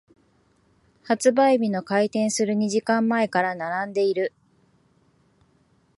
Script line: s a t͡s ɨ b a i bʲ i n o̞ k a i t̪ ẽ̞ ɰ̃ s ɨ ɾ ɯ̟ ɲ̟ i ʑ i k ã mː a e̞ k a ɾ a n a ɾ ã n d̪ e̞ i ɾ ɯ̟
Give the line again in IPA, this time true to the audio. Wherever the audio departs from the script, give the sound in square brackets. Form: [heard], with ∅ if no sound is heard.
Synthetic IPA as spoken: [h] a t͡s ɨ b a i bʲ i n o̞ k a i t̪ ẽ̞ ɰ̃ s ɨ ɾ ɯ̟ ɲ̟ i ʑ i k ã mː a e̞ k a ɾ a n a ɾ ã n d̪ e̞ i ɾ ɯ̟